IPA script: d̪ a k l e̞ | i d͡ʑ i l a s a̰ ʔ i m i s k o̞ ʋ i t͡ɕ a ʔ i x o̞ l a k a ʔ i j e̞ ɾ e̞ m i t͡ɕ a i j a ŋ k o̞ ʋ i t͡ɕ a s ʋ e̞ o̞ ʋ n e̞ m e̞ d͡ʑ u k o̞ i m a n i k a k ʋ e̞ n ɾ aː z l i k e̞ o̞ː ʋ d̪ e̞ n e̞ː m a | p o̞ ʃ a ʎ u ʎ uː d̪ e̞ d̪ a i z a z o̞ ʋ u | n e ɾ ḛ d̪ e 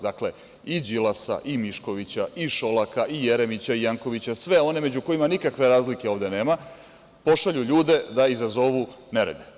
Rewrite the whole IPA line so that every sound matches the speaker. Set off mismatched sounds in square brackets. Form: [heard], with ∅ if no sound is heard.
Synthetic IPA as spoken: d̪ a k l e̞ | i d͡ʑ i l a s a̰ ʔ i m i [ʃ] k o̞ ʋ i t͡ɕ a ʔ i [ʃ] o̞ l a k a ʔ i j e̞ ɾ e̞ m i t͡ɕ a i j a ŋ k o̞ ʋ i t͡ɕ a s ʋ e̞ o̞ [∅] n e̞ m e̞ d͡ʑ u k o̞ i m a n i k a k ʋ e̞ [∅] ɾ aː z l i k e̞ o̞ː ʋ d̪ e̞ n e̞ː m a | p o̞ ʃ a ʎ u ʎ uː d̪ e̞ d̪ a i z a z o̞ ʋ u | n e ɾ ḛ d̪ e